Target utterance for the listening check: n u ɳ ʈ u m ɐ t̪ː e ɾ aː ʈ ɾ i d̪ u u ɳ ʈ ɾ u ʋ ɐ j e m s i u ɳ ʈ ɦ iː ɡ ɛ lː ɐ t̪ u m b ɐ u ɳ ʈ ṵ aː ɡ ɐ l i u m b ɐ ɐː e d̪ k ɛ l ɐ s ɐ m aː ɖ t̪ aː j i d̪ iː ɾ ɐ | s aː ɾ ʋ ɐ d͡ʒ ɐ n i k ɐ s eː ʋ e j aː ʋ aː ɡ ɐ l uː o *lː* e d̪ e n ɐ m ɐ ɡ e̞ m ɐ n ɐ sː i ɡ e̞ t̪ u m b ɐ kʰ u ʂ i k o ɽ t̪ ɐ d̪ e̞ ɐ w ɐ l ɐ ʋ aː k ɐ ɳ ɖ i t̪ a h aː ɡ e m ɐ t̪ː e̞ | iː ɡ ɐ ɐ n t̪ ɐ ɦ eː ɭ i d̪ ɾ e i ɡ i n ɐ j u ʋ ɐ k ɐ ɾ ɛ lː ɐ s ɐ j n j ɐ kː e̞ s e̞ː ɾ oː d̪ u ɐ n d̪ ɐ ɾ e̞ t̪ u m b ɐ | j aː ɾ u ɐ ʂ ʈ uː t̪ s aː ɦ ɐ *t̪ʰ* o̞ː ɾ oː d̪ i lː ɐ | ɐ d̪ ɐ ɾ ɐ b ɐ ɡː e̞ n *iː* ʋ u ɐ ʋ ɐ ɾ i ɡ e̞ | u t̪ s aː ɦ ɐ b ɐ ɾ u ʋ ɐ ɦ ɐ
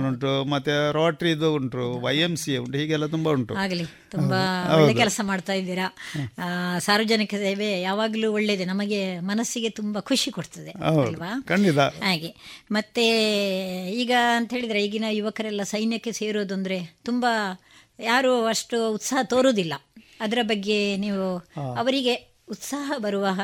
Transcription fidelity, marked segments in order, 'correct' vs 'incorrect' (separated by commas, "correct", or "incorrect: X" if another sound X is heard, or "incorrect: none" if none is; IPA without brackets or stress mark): incorrect: ɭː, incorrect: t̪, correct